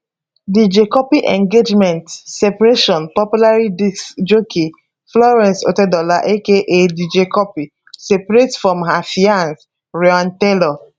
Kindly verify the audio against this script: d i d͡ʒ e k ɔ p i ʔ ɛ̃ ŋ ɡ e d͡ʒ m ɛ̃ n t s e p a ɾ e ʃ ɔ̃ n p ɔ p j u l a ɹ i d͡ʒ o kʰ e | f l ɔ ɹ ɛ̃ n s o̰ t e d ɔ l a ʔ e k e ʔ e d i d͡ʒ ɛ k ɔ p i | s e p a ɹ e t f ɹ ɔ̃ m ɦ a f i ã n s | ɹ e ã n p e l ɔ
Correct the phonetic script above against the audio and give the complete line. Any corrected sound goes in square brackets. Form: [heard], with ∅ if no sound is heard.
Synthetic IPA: d i d͡ʒ e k ɔ p i ʔ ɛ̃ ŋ ɡ e d͡ʒ m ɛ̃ n t s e p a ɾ e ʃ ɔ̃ n p ɔ p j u l a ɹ i d͡ʒ o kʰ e | f l ɔ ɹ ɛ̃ n s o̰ t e d ɔ l a ʔ e k e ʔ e d i d͡ʒ [e] k ɔ p i | s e p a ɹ e t f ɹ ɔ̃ m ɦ a f i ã n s | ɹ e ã n [t] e l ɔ